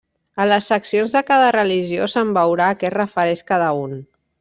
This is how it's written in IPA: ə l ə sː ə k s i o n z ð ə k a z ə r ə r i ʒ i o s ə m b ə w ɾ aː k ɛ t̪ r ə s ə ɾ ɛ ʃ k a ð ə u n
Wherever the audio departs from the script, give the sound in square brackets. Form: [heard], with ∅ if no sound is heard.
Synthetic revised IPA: ə l ə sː ə k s i o n z ð ə k a [ð] ə r ə [l] i ʒ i o s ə m b ə w ɾ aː k ɛ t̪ r ə [f] ə ɾ ɛ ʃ k a ð ə u n